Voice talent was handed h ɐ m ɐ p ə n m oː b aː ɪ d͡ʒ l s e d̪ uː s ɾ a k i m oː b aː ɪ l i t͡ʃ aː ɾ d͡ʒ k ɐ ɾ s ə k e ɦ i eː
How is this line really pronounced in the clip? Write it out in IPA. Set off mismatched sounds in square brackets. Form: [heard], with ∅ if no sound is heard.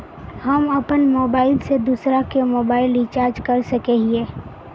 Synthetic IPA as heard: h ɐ m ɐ p ə n m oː b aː ɪ [∅] l s e d̪ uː s ɾ a k [e] m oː b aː ɪ l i t͡ʃ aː ɾ d͡ʒ k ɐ ɾ s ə k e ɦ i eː